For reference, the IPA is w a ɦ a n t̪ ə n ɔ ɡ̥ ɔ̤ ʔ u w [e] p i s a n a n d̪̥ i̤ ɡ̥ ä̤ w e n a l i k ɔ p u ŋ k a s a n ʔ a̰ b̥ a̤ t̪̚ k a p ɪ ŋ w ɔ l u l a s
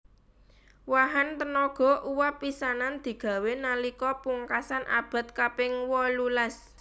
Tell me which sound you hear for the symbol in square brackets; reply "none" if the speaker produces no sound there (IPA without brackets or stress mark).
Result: a